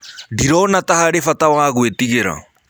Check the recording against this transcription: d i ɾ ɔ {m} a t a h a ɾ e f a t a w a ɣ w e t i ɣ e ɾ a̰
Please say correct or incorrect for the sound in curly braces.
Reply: incorrect: n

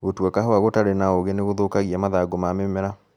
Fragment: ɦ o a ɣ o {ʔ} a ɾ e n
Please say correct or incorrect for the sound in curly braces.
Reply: incorrect: t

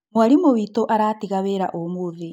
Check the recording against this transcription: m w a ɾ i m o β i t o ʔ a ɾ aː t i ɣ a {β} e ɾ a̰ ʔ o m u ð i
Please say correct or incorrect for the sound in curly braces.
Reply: correct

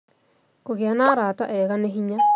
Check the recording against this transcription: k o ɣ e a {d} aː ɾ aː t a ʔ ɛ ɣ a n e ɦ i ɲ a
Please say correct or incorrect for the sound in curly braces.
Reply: incorrect: n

